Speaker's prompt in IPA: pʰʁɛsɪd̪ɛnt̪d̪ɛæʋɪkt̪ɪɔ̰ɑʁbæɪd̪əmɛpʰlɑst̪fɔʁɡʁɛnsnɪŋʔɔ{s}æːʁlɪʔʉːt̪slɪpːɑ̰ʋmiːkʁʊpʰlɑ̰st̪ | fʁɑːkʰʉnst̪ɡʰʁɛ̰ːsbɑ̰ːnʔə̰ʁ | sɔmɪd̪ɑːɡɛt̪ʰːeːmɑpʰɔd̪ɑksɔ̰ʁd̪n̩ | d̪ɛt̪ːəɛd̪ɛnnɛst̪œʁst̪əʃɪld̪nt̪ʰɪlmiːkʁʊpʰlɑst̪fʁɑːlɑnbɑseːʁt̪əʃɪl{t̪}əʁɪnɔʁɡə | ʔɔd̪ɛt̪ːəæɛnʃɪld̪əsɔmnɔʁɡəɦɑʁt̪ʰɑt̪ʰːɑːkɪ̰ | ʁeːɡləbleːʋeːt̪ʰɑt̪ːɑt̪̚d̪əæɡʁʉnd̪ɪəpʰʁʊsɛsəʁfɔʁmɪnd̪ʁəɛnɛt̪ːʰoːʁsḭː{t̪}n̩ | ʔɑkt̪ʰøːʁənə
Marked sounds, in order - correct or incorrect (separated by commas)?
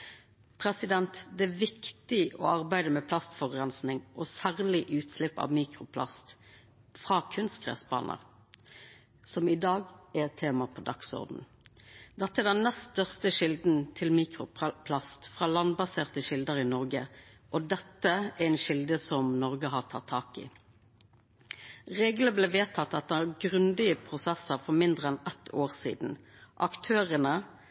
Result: correct, incorrect, incorrect